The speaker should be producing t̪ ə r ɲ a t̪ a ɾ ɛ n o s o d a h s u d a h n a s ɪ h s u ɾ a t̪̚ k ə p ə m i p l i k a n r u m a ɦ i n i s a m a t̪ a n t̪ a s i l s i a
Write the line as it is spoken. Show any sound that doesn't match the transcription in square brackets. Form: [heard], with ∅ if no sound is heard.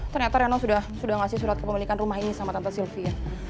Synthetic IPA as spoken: t̪ ə r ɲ a t̪ a ɾ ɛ n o s [u] d a h s u d a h [ŋ] a s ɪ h s u ɾ a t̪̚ k ə p ə m i [∅] l i k a n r u m a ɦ i n i s a m a t̪ a n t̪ a s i l [f] i a